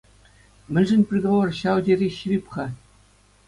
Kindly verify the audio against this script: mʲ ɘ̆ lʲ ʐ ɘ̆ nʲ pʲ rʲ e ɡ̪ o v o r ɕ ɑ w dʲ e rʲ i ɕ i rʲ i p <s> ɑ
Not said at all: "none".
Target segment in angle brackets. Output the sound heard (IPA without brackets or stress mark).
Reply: χ